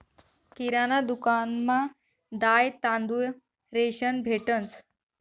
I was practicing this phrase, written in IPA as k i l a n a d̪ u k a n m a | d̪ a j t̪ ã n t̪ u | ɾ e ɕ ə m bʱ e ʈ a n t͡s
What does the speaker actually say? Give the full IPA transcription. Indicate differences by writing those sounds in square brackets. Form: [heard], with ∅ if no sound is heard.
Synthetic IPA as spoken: k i [ɾ] a n a d̪ u k a n m a | d̪ a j t̪ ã n [d̪] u | ɾ e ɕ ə [n] bʱ e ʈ [ə] n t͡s